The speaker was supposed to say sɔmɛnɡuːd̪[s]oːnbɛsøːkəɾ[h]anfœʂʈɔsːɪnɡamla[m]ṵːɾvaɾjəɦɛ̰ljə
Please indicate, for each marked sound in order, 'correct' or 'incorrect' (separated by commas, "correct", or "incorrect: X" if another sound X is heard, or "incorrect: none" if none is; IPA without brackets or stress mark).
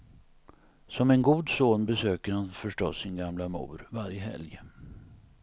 correct, correct, correct